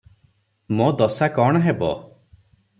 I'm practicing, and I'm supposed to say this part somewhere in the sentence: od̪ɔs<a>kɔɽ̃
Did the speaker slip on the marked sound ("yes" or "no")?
no